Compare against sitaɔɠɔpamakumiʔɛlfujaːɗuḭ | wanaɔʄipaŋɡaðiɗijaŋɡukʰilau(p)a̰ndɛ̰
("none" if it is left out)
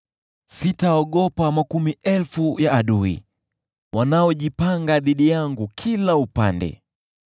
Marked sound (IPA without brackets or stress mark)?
p